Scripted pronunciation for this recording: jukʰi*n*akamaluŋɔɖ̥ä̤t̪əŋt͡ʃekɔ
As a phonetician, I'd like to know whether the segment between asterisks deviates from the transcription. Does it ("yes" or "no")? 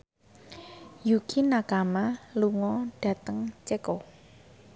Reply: no